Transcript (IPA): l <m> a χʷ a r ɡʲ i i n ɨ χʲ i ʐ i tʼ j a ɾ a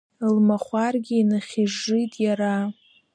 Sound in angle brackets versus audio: correct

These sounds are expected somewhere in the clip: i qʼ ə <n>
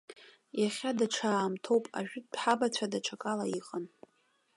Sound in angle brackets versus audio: correct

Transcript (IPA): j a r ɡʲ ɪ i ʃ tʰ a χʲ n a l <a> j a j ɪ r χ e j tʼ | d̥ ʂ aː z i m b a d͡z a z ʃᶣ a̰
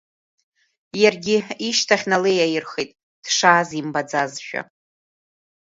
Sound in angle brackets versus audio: incorrect: e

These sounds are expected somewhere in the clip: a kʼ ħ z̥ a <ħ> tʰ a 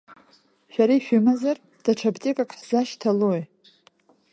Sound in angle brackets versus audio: incorrect: ʃ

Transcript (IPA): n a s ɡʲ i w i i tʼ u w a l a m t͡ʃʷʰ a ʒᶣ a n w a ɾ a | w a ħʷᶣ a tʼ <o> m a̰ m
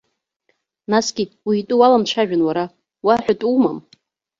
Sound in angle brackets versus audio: incorrect: u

